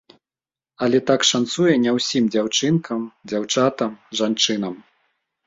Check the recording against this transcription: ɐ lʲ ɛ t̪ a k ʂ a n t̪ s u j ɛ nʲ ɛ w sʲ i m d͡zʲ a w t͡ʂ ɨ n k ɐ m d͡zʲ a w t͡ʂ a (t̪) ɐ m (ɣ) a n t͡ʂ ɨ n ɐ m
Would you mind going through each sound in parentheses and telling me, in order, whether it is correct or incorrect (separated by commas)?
correct, incorrect